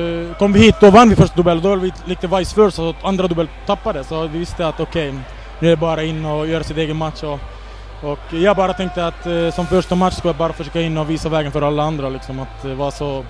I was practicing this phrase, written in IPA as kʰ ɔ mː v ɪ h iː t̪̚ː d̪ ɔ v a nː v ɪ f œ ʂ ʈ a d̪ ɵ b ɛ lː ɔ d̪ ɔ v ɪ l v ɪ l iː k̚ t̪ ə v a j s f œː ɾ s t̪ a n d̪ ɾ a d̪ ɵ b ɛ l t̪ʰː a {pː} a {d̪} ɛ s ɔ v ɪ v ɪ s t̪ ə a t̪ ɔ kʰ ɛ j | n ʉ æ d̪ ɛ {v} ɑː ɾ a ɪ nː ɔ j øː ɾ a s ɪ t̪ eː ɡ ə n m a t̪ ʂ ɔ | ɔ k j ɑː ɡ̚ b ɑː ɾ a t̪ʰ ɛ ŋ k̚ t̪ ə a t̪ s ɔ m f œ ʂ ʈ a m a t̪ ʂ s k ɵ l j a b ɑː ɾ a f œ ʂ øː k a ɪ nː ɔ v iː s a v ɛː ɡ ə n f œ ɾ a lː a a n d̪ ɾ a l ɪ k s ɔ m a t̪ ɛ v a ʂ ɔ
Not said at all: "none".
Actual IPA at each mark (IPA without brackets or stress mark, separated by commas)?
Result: pː, d̪, b